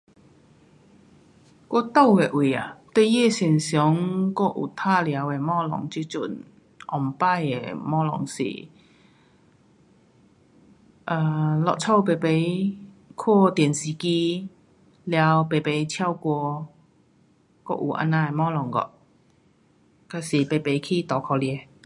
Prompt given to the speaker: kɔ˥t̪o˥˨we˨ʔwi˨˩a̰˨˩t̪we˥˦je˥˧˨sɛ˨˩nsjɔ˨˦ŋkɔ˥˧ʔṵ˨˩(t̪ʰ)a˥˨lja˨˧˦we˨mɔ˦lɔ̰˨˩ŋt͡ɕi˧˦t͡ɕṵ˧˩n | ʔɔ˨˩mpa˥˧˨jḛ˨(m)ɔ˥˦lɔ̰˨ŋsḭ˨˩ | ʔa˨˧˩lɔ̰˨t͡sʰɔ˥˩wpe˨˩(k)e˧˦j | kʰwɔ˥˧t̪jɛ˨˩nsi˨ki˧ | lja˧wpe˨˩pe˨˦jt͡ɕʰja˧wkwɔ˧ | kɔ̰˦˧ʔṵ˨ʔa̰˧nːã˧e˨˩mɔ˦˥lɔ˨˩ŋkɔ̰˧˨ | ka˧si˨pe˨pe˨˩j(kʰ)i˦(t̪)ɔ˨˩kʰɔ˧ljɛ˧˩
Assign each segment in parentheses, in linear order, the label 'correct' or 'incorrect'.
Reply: correct, correct, incorrect, correct, correct

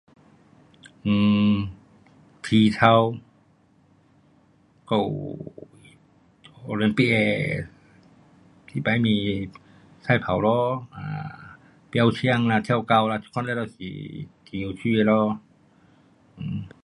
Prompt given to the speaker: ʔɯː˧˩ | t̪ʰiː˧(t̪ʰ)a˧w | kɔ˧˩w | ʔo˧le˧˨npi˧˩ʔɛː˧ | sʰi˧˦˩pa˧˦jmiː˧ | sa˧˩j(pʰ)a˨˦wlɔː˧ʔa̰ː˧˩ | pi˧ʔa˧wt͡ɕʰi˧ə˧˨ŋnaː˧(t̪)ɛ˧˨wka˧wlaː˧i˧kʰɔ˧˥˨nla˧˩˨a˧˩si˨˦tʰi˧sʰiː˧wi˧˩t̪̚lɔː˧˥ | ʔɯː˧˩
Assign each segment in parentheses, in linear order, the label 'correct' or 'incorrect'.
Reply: correct, correct, incorrect

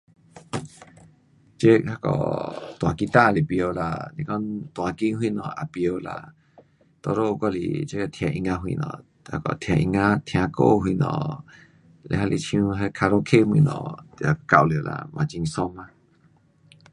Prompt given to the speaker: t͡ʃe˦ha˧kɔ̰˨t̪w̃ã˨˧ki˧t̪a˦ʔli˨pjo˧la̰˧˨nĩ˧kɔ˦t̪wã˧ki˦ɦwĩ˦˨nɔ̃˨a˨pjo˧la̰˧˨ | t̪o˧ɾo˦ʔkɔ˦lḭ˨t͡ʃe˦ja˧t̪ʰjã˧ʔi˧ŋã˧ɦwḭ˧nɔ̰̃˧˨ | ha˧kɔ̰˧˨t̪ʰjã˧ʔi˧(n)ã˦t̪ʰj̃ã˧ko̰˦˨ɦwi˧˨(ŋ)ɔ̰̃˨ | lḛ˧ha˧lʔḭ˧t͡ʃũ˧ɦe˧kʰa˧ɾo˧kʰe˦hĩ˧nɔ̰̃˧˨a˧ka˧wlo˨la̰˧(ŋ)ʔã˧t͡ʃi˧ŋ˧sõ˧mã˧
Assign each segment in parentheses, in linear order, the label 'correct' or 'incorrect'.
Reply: incorrect, incorrect, incorrect

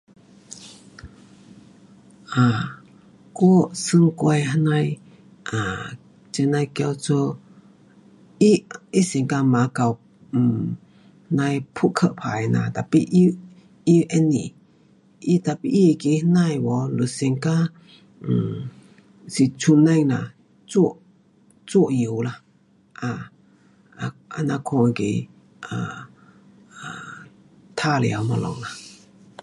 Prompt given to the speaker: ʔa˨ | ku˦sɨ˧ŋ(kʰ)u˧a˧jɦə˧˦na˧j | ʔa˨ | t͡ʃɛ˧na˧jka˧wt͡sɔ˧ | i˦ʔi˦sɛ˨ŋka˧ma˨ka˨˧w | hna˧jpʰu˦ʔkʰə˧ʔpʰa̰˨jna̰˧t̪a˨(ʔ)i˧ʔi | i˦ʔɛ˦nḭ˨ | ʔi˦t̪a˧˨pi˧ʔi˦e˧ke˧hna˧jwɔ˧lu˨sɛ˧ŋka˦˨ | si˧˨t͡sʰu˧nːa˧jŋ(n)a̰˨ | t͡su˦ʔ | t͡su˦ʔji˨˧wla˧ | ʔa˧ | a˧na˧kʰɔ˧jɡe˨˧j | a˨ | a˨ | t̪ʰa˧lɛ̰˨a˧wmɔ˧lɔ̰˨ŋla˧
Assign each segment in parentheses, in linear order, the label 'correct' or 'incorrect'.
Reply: incorrect, incorrect, correct

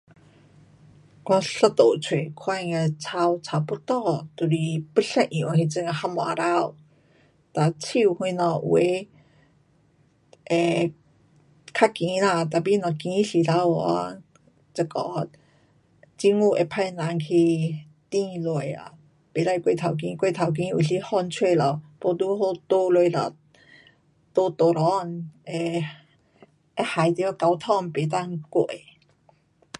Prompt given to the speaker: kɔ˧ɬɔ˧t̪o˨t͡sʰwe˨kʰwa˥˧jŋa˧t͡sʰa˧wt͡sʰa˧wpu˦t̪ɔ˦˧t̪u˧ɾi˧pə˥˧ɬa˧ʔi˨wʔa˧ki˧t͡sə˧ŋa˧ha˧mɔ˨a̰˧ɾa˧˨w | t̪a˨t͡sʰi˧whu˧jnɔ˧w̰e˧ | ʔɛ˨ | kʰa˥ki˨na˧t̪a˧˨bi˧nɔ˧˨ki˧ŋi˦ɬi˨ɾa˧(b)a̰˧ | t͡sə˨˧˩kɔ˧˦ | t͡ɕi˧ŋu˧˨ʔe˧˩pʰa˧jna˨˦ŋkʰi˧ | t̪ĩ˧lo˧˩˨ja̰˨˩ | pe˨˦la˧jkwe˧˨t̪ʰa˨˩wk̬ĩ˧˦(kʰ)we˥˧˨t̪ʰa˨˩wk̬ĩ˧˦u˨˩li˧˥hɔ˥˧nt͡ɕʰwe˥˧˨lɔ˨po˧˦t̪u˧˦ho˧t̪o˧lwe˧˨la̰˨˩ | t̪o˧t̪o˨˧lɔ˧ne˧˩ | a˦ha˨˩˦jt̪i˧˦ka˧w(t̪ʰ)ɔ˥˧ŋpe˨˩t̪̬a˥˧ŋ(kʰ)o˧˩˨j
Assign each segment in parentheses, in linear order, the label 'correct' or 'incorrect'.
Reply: incorrect, incorrect, correct, incorrect

